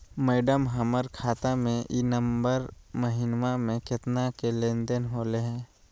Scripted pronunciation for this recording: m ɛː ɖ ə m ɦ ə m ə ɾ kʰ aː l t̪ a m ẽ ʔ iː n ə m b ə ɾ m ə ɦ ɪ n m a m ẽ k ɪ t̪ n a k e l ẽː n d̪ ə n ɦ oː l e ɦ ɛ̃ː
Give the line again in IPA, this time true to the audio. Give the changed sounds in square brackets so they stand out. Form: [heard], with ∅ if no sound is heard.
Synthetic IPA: m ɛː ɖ ə m ɦ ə m ə ɾ kʰ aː [∅] t̪ a m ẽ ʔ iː n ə m b ə ɾ m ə ɦ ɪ n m a m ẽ k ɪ t̪ n a k e l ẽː n d̪ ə n ɦ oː l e ɦ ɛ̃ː